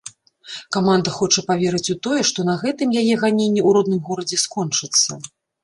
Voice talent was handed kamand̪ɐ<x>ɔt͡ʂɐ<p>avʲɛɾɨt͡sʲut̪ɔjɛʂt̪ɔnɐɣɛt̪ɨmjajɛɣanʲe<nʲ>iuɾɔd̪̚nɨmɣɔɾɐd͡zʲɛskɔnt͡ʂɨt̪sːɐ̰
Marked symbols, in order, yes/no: yes, yes, no

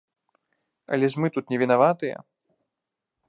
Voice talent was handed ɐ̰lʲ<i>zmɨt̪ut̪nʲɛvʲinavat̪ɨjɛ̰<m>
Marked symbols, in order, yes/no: no, no

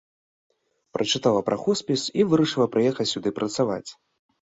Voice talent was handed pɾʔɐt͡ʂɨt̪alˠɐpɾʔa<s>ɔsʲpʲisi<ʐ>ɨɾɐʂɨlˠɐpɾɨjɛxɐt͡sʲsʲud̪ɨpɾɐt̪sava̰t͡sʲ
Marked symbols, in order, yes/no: no, no

